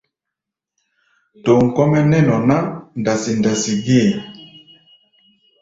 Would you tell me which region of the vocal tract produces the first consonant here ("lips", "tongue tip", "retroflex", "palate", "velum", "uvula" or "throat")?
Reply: tongue tip